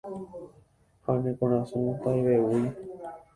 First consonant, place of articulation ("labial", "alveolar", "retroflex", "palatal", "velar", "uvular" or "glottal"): glottal